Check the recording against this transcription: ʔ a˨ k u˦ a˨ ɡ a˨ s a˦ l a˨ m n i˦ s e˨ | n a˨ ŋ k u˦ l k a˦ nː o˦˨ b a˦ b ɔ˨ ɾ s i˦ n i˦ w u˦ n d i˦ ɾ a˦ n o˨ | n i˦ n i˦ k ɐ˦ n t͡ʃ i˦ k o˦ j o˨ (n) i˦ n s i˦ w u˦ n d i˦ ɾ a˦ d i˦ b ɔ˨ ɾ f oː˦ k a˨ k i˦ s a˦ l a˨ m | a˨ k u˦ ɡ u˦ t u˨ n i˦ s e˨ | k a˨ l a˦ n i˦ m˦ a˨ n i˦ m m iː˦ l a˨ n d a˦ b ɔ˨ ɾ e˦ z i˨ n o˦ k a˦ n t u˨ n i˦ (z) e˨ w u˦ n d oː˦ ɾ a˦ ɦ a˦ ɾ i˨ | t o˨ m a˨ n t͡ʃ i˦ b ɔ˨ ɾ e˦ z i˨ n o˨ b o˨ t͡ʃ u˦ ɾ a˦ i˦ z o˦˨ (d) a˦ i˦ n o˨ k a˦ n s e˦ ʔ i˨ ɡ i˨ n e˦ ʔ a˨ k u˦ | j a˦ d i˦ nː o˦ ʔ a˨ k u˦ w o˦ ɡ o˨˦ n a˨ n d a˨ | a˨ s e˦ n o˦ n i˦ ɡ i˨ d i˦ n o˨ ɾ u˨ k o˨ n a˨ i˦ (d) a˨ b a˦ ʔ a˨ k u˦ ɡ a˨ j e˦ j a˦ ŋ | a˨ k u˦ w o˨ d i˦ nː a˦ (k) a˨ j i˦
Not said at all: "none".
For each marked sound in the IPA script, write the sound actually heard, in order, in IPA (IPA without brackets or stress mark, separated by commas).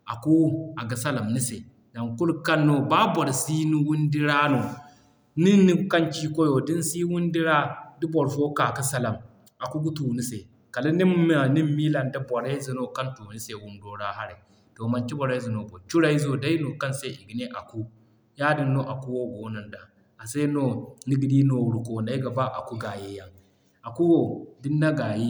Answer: d, s, d, ɡ, ɡ